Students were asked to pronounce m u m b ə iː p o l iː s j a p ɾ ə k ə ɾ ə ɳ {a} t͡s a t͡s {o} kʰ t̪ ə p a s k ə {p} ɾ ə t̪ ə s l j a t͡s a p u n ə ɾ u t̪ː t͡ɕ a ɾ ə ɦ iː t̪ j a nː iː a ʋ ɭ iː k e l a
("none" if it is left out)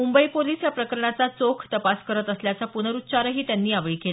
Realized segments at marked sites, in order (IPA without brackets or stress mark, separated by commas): a, o, none